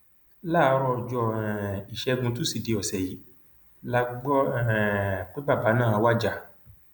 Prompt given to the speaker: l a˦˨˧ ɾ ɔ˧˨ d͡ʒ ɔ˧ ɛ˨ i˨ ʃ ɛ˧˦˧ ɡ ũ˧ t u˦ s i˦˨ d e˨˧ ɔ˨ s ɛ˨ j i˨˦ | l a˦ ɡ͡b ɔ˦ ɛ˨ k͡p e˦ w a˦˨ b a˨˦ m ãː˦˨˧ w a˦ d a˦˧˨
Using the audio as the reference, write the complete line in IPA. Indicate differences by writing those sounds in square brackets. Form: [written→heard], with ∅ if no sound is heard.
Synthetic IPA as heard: l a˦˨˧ ɾ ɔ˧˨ d͡ʒ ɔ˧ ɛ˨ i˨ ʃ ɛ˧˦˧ ɡ ũ˧ t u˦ s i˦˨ d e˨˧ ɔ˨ s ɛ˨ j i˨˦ | l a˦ ɡ͡b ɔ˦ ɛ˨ k͡p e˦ [w→b] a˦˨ b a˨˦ [m→n] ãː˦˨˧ w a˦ [d→d͡ʒ] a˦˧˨